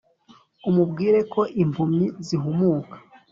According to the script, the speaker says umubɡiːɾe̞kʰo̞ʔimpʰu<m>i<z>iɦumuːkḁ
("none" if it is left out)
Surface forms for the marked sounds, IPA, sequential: m, z

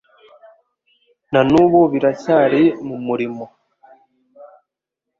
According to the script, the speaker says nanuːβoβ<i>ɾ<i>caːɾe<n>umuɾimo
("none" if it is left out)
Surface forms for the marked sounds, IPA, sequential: i, a, m

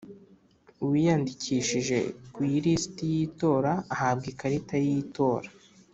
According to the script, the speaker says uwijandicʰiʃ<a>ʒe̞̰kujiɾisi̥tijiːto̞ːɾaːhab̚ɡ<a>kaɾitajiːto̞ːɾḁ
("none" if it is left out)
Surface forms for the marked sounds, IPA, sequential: i, i

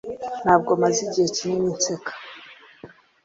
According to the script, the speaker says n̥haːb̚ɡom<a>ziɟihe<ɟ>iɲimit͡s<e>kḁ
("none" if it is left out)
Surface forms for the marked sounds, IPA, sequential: a, c, e

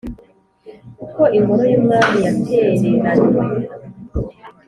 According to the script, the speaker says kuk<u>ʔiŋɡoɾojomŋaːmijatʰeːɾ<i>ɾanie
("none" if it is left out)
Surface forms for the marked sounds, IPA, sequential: o, e

